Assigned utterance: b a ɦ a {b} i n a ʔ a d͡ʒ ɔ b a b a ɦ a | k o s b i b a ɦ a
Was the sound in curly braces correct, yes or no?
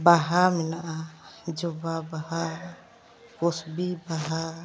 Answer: no